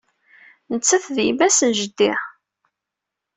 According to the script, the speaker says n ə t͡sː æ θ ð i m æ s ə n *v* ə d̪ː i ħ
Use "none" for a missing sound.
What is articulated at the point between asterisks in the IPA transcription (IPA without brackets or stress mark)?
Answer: ʒ